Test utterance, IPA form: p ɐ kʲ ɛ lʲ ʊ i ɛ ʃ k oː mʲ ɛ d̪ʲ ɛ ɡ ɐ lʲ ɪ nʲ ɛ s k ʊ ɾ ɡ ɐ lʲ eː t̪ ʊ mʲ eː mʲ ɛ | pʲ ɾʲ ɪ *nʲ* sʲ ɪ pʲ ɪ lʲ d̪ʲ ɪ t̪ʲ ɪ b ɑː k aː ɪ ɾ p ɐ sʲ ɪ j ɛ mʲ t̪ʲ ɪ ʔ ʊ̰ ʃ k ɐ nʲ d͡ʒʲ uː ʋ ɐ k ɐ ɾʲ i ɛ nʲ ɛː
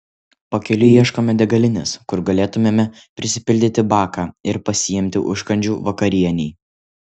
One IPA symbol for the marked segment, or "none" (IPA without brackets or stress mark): none